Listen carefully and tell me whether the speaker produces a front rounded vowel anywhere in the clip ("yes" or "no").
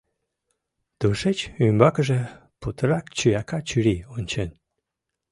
yes